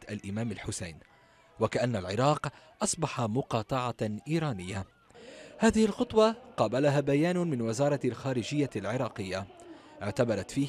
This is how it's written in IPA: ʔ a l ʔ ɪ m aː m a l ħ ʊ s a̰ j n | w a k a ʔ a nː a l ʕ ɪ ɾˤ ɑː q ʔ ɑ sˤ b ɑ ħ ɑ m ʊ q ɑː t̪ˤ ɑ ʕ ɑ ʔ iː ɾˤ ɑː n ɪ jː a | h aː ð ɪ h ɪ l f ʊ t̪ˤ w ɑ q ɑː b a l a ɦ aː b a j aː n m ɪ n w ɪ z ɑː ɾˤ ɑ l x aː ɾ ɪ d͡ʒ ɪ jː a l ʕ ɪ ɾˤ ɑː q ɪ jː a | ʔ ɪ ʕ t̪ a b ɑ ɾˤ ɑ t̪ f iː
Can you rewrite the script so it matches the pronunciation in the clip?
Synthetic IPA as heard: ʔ a l ʔ ɪ m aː m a l ħ ʊ s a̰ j n | w a k a ʔ a nː a l ʕ ɪ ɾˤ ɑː q ʔ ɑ sˤ b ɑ ħ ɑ m ʊ q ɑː t̪ˤ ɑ ʕ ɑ ʔ iː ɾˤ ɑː n ɪ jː a | h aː ð ɪ h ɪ l x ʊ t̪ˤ w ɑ q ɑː b a l a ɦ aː b a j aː n m ɪ n w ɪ z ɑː ɾˤ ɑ l x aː ɾ ɪ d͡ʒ ɪ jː a l ʕ ɪ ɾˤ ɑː q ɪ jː a | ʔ ɪ ʕ t̪ a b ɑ ɾˤ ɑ t̪ f iː

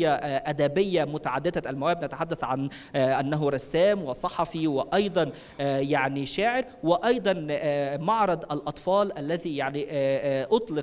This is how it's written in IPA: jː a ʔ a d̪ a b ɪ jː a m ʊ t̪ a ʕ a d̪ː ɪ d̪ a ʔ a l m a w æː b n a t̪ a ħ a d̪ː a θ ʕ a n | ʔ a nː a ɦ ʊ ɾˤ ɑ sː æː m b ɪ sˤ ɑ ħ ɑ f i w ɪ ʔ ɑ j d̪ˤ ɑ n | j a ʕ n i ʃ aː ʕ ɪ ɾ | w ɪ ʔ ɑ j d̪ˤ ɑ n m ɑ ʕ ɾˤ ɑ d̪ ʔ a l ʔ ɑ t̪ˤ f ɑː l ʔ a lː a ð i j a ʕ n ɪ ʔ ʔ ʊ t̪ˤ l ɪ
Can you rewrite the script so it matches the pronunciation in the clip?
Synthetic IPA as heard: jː a ʔ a d̪ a b ɪ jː a m ʊ t̪ a ʕ a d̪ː ɪ d̪ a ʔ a l m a w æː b n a t̪ a ħ a d̪ː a θ ʕ a n | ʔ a nː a ɦ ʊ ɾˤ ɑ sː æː m w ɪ sˤ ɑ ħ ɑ f i w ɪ ʔ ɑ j d̪ˤ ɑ n | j a ʕ n i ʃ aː ʕ ɪ ɾ | w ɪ ʔ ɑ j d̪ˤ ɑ n m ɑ ʕ ɾˤ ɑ d̪ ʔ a l ʔ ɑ t̪ˤ f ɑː l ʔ a lː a ð i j a ʕ n i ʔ ʔ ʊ t̪ˤ l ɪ

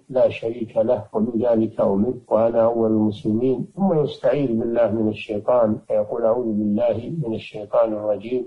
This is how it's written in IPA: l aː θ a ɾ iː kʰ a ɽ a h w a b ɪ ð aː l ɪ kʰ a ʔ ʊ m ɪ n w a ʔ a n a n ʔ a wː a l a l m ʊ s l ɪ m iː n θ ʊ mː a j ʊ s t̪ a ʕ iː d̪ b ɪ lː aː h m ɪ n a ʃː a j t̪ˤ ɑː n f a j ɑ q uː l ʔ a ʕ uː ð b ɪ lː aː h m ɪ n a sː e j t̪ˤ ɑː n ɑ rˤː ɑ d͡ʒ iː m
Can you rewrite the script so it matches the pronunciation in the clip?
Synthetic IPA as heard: l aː ʃ a ɾ iː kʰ a l a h w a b ɪ ð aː l ɪ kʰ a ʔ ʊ m ɪ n w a ʔ a n a ʔ a wː a l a l m ʊ s l ɪ m iː n θ ʊ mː a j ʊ s t̪ a ʕ iː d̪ b ɪ lː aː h m ɪ n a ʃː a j t̪ˤ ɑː n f a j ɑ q uː l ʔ a ʕ uː ð b ɪ lː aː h m ɪ n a ʃː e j t̪ˤ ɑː n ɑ rˤː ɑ d͡ʒ iː m

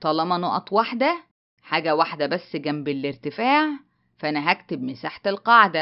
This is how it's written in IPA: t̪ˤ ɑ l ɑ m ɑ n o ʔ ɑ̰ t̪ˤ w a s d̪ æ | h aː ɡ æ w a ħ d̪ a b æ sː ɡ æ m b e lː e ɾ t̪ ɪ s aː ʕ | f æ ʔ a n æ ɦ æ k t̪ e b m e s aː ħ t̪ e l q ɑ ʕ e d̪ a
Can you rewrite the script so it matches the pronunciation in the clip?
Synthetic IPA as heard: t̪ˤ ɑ l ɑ m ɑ n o ʔ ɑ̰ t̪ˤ w a ħ d̪ æ | ħ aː ɡ æ w a ħ d̪ æ b æ sː ɡ æ m b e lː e ɾ t̪ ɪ f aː ʕ | f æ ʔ æ n æ ɦ æ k t̪ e b m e s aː ħ t̪ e l q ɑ ʕ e d̪ æ

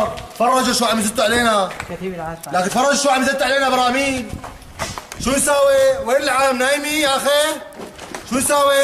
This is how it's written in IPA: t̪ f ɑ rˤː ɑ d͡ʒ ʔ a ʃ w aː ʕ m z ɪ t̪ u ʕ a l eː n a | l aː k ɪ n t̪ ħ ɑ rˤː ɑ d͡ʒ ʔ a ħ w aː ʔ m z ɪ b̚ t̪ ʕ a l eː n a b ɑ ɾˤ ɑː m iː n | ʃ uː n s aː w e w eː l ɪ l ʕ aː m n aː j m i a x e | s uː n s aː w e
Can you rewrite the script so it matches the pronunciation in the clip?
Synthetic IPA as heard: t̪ f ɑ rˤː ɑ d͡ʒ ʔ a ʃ w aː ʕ m z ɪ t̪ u ʕ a l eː n a | l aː k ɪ n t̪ f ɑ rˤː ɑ d͡ʒ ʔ a ʃ w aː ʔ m z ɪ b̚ t̪ ʕ a l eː n a b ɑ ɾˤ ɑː m iː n | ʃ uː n s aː w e w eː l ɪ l ʕ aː m n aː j m i a x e | ʃ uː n s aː w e

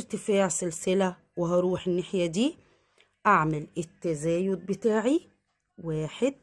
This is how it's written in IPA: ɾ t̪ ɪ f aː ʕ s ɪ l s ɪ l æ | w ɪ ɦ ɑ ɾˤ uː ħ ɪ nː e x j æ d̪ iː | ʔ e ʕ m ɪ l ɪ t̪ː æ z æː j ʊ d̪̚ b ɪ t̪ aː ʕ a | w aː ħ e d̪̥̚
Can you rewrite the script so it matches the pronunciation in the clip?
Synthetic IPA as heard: ɾ t̪ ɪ f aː ʕ s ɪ l s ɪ l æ | w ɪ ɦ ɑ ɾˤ uː ħ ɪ nː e ħ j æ d̪ iː | ʔ a ʕ m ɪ l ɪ t̪ː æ z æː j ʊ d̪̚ b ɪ t̪ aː ʕ i | w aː ħ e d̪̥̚

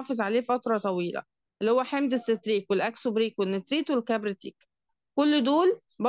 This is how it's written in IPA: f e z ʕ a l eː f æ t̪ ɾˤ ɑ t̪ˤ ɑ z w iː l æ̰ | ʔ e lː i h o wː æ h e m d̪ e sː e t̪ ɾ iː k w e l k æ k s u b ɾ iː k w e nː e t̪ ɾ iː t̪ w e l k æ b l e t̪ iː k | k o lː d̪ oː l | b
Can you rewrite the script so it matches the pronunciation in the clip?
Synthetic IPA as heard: f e z ʕ a l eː f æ t̪ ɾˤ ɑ t̪ˤ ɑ w iː l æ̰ | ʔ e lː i h o wː æ ħ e m d̪ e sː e t̪ ɾ iː k w e l ʔ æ k s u b ɾ iː k w e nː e t̪ ɾ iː t̪ w e l k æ b ɾ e t̪ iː k | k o lː d̪ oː l | b

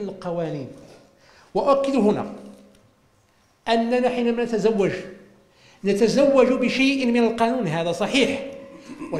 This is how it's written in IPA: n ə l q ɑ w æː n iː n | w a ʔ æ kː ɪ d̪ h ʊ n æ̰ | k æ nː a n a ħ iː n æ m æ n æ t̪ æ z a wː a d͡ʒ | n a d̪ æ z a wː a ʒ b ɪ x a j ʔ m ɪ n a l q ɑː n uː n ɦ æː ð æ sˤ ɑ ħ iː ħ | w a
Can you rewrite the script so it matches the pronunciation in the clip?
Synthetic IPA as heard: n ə l q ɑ w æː n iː n | w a ʔ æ kː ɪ d̪ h ʊ n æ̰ | ʔ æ nː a n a ħ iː n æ m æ n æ t̪ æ z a wː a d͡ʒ | n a t̪ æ z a wː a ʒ b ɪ ʃ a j ʔ m ɪ n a l q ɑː n uː n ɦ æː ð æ sˤ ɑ ħ iː ħ | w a

